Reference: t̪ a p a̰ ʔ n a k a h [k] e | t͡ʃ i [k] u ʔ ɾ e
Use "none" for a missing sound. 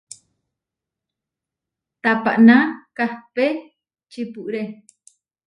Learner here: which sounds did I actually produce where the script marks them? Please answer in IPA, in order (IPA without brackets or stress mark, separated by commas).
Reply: p, p